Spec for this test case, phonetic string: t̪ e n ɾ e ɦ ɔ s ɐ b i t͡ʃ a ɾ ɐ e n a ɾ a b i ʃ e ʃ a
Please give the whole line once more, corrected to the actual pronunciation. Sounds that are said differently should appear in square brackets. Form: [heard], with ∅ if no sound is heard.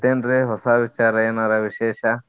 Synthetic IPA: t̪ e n ɾ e ɦ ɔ s [a] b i t͡ʃ a ɾ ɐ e n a ɾ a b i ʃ e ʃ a